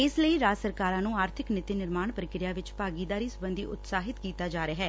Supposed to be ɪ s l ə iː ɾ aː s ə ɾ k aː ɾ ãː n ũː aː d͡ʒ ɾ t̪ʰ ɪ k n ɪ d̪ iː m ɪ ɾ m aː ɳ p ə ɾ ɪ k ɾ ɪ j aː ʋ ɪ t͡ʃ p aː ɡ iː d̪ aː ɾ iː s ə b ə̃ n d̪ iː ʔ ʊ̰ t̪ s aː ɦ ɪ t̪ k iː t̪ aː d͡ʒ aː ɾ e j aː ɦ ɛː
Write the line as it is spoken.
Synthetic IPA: ɪ s l ə iː ɾ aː s ə ɾ k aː ɾ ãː n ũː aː ɾ t̪ʰ ɪ k n ɪ t̪ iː n ɪ ɾ m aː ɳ p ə ɾ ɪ k ɾ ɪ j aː ʋ ɪ t͡ʃ p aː ɡ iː d̪ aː ɾ iː s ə b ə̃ n d̪ iː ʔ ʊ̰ t̪ s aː ɦ ɪ t̪ k iː t̪ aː d͡ʒ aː ɾ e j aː ɦ ɛː